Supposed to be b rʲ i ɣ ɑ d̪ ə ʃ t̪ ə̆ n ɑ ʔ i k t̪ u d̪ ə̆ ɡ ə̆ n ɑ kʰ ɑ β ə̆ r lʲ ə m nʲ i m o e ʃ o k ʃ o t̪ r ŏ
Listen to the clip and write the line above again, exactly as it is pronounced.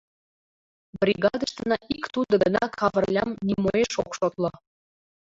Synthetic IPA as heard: b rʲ i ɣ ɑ d̪ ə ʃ t̪ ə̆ n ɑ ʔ i k t̪ u d̪ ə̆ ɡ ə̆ n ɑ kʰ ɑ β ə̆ r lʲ ɑ m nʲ i m o e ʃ o k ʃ o t̪ l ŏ